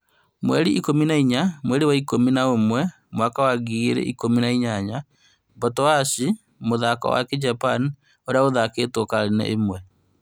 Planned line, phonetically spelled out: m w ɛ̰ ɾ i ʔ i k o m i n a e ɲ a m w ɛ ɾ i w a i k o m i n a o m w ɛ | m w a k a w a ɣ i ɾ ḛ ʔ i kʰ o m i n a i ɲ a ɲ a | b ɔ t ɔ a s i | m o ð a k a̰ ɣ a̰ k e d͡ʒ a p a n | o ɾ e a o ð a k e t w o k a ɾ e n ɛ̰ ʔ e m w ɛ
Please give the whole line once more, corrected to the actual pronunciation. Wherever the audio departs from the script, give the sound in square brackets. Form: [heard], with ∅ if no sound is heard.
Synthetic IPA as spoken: m w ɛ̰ ɾ i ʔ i k o m i n a [i] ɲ a m w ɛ ɾ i w a i k o m i n a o m w ɛ | m w a k a w a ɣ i ɾ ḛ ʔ i [k] o m i n a i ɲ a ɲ a | b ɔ t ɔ a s i | m o ð a k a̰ [w] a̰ k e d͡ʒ a p a n | o ɾ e a o ð a k e t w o k a ɾ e n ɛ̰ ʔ e m w ɛ

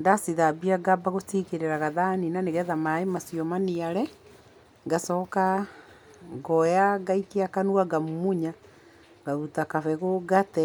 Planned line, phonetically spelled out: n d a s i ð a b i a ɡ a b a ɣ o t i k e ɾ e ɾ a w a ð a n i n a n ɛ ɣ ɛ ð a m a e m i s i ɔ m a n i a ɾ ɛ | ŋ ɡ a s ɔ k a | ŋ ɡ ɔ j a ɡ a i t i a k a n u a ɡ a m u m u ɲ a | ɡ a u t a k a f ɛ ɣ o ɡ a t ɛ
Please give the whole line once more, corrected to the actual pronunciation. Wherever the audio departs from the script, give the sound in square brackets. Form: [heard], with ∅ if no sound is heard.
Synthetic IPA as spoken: n d a s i ð a b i a ɡ a b a ɣ o t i k e ɾ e ɾ a [ɣ] a ð a n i n a n [e] ɣ ɛ ð a m a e m [a] s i ɔ m a n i a ɾ ɛ | ŋ ɡ a s ɔ k a | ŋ ɡ ɔ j a ɡ a i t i a k a n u a ɡ a m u m u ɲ a | ɡ a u t a k a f ɛ ɣ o ɡ a t ɛ

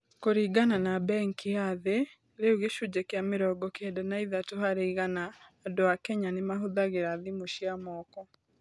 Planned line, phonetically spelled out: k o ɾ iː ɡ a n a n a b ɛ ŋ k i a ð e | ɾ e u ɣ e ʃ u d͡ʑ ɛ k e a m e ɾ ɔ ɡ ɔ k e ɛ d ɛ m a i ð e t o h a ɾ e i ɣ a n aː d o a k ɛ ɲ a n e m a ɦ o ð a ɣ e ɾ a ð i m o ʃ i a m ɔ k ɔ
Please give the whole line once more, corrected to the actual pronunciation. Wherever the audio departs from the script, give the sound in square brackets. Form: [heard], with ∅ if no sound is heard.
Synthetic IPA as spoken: k o ɾ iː ɡ a n a n a b ɛ ŋ k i a ð e | ɾ e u ɣ e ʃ u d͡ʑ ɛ k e a m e ɾ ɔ ɡ ɔ k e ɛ d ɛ [n] a i ð [a] t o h a ɾ e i ɣ a n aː d o a k ɛ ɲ a n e m a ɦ o ð a ɣ e ɾ a ð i m o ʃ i a m ɔ k ɔ

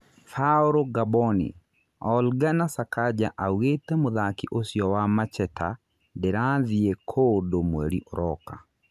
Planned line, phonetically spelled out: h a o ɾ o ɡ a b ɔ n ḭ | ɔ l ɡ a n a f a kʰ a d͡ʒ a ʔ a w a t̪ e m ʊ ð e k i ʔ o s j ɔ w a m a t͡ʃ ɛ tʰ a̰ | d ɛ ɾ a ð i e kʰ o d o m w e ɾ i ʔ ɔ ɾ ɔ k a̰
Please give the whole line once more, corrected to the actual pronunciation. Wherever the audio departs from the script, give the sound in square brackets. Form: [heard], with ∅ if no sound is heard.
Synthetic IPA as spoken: [f] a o ɾ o ɡ a b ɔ n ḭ | ɔ l ɡ a n a [s] a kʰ a d͡ʒ a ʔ a w [e] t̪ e m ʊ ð [a] k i ʔ o s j ɔ w a m a t͡ʃ ɛ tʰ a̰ | d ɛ ɾ a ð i e kʰ o d o m w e ɾ i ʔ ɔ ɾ ɔ k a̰

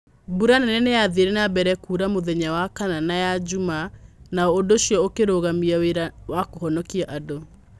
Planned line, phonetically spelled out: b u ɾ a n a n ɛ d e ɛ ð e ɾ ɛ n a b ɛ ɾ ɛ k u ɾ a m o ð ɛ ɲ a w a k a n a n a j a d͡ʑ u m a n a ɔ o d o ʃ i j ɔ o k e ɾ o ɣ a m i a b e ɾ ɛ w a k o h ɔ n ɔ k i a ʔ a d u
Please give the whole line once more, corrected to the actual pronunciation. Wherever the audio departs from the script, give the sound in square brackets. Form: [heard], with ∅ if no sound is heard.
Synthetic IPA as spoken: b u ɾ a n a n ɛ [n] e [a] ð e ɾ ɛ n a b ɛ ɾ ɛ k u ɾ a m o ð ɛ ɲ a w a k a n a n a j a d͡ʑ u m a n a ɔ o d o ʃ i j ɔ o k e ɾ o ɣ a m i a [w] e ɾ [a] w a k o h ɔ n ɔ k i a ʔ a d [o]

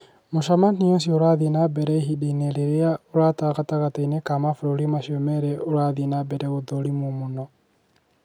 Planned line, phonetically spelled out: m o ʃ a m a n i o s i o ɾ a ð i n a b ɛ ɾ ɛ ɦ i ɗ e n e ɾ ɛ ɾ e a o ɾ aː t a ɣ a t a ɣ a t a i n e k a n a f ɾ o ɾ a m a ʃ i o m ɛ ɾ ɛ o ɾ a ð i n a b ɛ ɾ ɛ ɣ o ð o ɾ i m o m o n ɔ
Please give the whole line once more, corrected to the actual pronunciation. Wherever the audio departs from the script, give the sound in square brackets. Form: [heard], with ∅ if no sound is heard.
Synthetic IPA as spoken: m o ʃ a m a n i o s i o ɾ a ð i n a b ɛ ɾ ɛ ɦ i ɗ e n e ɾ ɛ ɾ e a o ɾ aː t a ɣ a t a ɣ a t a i n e k a [m] a f ɾ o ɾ [i] m a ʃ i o m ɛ ɾ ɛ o ɾ a ð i n a b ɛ ɾ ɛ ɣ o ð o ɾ i m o m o n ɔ

